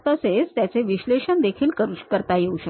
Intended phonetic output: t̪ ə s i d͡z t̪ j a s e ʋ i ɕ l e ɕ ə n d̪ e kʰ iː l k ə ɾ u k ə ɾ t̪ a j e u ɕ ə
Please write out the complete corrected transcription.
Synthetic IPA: t̪ ə s e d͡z t̪ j a t͡s e ʋ i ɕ l e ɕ ə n d̪ e kʰ iː l k ə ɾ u k ə ɾ t̪ a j e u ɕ ə